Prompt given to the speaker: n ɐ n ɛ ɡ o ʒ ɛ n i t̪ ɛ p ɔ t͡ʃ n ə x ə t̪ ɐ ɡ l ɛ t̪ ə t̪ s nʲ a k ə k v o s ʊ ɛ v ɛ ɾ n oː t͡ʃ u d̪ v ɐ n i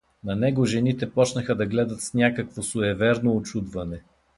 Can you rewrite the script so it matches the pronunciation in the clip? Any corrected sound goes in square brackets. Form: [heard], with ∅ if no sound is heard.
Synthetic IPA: n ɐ n ɛ ɡ o ʒ ɛ n i t̪ ɛ p ɔ t͡ʃ n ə x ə [d̪] ɐ ɡ l ɛ [d̪] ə t̪ s nʲ a k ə k v o s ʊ ɛ v ɛ ɾ n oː t͡ʃ u d̪ v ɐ n [ɛ]